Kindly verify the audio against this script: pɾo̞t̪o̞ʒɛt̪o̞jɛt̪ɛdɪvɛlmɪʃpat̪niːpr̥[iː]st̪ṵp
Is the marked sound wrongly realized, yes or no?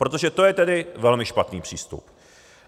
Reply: no